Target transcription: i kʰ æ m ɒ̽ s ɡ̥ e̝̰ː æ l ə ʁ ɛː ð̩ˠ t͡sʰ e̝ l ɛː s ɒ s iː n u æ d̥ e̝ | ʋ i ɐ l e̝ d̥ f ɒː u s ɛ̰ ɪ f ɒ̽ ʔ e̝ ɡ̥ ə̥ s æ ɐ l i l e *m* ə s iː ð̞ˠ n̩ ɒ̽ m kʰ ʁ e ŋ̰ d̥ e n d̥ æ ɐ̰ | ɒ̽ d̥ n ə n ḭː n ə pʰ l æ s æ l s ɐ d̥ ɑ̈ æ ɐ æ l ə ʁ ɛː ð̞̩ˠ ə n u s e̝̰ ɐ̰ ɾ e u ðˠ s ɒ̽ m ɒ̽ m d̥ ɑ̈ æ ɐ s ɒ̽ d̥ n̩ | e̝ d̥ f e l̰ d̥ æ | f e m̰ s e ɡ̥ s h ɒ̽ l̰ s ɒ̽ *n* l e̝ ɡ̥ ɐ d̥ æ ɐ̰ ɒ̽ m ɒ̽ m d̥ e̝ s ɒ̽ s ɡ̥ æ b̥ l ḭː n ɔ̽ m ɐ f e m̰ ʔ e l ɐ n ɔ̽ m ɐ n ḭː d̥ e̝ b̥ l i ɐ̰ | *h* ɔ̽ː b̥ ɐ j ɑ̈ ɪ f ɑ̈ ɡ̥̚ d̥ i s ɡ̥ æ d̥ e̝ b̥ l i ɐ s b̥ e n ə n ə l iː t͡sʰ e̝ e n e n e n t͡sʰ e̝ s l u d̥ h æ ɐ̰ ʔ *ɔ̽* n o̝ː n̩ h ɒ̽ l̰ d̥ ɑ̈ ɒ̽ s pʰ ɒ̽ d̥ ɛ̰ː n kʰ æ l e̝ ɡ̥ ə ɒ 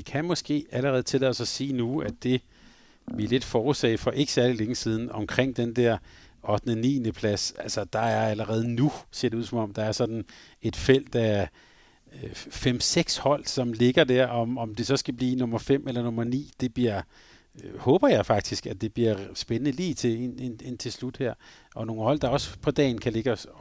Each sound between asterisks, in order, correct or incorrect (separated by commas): incorrect, incorrect, correct, incorrect